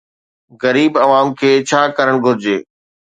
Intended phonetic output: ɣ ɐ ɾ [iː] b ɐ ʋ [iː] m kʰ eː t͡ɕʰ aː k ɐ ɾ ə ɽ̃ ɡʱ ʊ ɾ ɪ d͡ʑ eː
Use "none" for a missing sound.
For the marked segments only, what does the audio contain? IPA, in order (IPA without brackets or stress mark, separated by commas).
iː, aː